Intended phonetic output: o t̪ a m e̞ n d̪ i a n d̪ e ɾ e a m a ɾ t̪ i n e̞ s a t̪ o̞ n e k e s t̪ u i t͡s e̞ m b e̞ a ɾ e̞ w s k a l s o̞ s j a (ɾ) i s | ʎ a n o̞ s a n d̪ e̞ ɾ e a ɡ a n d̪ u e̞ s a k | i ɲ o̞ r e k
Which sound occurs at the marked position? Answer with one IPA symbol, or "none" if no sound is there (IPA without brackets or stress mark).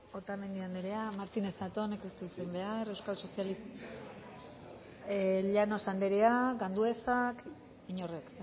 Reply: l